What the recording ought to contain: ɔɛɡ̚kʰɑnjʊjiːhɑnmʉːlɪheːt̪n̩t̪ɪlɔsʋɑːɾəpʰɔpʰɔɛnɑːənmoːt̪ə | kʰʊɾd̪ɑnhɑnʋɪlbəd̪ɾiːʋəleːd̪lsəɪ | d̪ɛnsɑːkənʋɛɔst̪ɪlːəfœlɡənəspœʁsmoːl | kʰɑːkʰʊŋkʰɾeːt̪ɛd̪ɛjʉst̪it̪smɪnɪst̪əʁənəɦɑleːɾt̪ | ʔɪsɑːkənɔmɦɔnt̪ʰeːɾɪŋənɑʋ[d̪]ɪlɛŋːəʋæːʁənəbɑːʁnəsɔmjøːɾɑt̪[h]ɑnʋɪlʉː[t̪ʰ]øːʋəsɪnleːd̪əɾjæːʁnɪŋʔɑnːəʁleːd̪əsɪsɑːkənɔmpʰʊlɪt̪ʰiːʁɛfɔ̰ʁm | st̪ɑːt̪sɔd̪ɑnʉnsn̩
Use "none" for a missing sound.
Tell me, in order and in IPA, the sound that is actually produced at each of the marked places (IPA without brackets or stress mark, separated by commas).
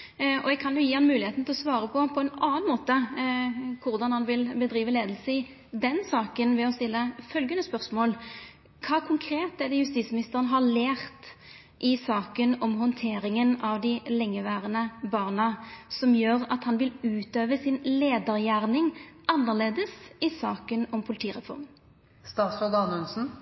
d̪, h, t̪